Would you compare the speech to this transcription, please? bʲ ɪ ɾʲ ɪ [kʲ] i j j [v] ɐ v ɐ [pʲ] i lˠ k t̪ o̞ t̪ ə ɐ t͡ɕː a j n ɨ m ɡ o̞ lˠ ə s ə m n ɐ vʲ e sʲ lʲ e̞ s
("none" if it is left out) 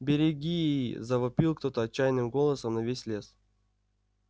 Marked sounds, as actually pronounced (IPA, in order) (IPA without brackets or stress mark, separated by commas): ɡʲ, z, pʲ